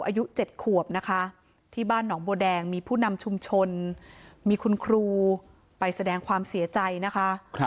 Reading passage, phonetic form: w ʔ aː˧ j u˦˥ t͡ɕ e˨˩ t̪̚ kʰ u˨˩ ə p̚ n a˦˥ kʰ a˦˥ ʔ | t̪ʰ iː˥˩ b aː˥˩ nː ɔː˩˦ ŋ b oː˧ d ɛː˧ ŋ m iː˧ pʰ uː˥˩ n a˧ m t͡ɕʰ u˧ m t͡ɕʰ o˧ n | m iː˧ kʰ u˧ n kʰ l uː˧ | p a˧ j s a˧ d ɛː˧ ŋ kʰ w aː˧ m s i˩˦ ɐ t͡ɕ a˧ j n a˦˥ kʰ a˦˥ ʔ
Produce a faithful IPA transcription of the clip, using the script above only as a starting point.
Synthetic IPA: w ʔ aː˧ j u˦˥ t͡ɕ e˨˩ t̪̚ kʰ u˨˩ ə p̚ n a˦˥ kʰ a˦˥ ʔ | t̪ʰ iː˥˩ b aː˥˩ nː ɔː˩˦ ŋ b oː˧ d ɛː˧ ŋ m iː˧ pʰ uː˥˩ n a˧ m t͡ɕʰ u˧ m t͡ɕʰ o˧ n | m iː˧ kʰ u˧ n kʰ ɾ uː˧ | p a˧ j s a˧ d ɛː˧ ŋ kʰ w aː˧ m s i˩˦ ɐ t͡ɕ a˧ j n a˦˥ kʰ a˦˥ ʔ

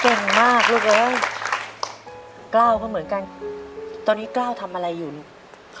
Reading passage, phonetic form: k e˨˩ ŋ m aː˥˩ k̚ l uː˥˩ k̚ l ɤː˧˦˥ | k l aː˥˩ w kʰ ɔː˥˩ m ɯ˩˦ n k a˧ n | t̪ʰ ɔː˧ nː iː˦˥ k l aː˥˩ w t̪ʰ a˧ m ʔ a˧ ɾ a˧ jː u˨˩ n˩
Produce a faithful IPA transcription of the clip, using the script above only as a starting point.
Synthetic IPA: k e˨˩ ŋ m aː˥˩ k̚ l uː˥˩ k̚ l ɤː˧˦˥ | k l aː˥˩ w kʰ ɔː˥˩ m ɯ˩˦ n k a˧ n | t̪ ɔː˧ nː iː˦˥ k l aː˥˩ w t̪ʰ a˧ m ʔ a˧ ɾ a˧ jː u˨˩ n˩

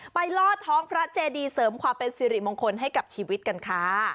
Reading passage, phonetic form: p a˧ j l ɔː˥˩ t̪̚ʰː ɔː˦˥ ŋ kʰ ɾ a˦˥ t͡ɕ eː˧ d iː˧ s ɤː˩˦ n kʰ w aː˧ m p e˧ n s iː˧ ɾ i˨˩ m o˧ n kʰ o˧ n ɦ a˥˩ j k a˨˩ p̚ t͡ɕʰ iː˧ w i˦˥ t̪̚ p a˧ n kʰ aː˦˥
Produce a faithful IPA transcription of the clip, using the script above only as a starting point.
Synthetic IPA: p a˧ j l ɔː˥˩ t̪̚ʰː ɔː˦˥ ŋ pʰ ɾ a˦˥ t͡ɕ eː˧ d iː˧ s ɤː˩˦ m kʰ w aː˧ m p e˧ n s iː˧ ɾ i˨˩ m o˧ ŋ kʰ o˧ n ɦ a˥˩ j k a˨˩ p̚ t͡ɕʰ iː˧ w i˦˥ t̪̚ k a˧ n kʰ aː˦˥

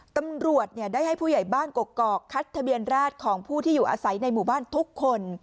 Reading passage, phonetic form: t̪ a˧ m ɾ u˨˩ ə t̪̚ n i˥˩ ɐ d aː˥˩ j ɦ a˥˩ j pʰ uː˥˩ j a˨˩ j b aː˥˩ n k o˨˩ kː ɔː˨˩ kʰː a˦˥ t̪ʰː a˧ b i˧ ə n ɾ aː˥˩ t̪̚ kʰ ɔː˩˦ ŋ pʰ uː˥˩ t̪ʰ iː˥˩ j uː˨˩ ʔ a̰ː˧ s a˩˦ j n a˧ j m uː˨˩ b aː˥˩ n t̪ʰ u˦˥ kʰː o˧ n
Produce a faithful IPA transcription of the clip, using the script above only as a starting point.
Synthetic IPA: t̪ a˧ m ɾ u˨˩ ə t̪̚ n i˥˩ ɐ d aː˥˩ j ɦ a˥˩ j pʰ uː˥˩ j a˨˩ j b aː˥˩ n k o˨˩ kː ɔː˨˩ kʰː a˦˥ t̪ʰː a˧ b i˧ ə n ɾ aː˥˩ t̪̚ kʰ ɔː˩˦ ŋ pʰ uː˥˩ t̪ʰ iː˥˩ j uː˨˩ ʔ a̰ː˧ s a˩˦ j n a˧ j m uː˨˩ b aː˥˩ n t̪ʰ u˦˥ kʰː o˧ n

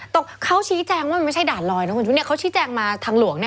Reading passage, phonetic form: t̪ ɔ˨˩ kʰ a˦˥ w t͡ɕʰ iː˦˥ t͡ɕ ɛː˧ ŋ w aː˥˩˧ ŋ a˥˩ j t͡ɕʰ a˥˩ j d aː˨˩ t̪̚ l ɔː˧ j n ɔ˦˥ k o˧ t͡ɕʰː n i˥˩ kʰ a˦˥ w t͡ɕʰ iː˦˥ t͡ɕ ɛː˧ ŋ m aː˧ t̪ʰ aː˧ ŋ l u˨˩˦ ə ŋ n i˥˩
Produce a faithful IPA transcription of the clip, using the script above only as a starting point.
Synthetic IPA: t̪ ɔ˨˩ kʰ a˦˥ w t͡ɕʰ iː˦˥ t͡ɕ ɛː˧ ŋ w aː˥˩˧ m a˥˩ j t͡ɕʰ a˥˩ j d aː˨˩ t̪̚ l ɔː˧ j n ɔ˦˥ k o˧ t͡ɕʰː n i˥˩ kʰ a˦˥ w t͡ɕʰ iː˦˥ t͡ɕ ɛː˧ ŋ m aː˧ t̪ʰ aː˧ ŋ l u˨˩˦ ə ŋ n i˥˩

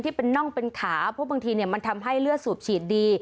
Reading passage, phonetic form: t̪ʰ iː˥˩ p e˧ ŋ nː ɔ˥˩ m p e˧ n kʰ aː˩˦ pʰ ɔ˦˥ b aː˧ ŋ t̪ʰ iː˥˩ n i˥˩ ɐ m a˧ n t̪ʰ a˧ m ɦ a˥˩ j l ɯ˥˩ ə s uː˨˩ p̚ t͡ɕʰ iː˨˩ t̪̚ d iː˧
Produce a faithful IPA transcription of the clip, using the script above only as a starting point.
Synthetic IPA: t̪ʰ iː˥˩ p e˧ nː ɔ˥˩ ŋ p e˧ n kʰ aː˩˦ pʰ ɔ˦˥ b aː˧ ŋ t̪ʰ iː˧ n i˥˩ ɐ m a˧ n t̪ʰ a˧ m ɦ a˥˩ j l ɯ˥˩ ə s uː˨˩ p̚ t͡ɕʰ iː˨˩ t̪̚ d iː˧

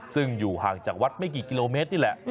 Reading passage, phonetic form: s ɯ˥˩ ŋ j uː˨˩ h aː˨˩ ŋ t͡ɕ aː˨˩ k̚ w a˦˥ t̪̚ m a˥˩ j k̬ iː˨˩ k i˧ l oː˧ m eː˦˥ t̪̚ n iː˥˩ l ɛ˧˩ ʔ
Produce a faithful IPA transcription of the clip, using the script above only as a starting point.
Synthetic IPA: s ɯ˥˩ ŋ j uː˨˩ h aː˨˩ ŋ t͡ɕ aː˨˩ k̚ w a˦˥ t̪̚ m a˥˩ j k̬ iː˨˩ k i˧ l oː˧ m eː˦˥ t̪̚ n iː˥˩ l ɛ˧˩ ʔ

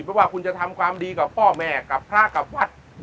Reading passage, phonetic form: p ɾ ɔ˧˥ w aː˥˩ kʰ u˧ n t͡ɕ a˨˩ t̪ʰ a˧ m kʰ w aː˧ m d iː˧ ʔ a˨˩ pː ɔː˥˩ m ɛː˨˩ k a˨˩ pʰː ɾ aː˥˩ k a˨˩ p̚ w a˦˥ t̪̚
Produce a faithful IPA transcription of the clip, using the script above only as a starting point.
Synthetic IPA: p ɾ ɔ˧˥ w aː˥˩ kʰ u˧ n t͡ɕ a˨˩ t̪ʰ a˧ m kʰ w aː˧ m d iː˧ k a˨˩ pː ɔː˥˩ m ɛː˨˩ k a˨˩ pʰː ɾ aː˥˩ k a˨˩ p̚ w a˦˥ t̪̚

